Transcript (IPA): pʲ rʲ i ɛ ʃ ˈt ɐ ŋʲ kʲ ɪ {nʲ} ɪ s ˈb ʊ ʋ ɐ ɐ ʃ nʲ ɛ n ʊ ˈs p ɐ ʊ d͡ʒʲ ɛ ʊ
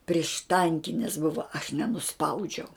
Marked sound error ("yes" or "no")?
no